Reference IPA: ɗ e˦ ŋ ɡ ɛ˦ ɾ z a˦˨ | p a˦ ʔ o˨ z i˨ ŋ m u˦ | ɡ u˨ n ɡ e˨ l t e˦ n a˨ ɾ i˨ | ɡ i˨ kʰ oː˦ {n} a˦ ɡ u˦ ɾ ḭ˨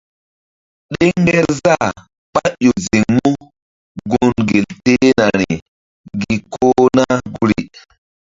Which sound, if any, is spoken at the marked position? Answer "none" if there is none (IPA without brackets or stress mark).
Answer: n